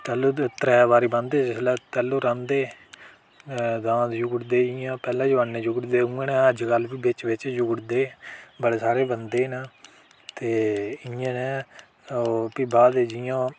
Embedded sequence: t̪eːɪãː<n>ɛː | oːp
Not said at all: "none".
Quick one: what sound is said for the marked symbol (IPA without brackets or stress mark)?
n